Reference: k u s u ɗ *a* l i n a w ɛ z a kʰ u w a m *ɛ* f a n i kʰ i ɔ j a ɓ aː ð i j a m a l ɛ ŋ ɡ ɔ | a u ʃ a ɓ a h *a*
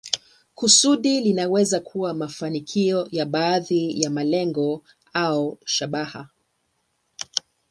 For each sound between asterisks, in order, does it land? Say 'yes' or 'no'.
no, no, yes

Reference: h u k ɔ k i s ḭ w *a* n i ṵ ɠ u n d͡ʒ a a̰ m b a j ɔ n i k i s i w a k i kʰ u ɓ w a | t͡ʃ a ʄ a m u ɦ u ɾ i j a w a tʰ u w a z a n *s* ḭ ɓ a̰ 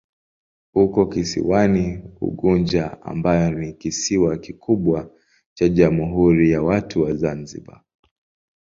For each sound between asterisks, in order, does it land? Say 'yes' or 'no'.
yes, no

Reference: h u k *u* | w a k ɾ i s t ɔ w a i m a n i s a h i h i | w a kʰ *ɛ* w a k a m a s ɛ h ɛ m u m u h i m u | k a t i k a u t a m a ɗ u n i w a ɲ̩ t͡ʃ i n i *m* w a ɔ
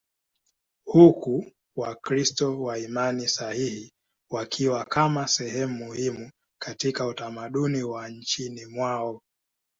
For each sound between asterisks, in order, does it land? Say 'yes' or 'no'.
yes, no, yes

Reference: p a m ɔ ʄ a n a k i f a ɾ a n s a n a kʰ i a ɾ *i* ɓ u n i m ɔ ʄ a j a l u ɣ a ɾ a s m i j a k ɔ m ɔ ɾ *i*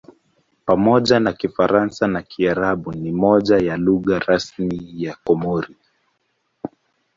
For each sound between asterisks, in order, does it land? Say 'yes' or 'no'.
no, yes

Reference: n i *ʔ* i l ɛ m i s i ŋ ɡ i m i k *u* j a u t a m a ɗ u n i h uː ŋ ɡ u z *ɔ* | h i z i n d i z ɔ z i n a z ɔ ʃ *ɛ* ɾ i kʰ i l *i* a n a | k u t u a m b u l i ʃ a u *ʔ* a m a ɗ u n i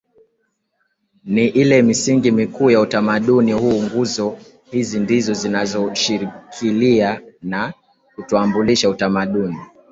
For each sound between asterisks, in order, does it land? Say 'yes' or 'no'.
yes, no, yes, no, yes, no

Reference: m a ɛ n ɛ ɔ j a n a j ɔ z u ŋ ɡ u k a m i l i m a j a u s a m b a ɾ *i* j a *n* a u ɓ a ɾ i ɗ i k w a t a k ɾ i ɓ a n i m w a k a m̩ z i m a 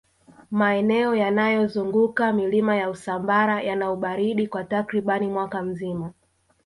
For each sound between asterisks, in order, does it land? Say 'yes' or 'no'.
no, yes

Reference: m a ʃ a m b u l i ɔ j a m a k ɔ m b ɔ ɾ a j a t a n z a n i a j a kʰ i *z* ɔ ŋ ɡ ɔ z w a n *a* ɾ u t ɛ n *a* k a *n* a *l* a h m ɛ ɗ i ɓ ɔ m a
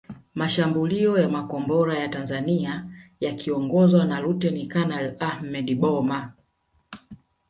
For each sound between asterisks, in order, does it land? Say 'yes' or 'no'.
no, yes, no, yes, yes

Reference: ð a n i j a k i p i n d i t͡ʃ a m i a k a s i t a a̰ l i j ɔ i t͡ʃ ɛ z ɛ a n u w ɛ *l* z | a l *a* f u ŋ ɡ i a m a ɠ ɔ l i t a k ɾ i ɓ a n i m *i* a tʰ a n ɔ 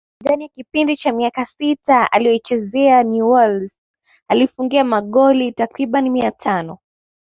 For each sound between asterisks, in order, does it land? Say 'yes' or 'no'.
yes, no, yes

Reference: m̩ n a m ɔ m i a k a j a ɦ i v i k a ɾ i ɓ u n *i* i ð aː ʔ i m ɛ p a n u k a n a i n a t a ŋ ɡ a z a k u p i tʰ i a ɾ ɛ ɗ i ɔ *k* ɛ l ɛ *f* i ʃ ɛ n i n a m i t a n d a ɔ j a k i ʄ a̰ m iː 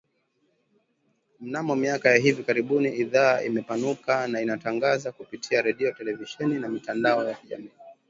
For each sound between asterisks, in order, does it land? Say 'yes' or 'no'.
yes, no, no

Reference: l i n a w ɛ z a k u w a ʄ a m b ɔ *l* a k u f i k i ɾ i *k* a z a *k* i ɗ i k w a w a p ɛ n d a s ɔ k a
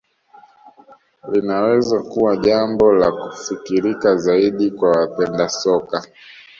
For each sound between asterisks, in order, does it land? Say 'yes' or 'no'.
yes, yes, no

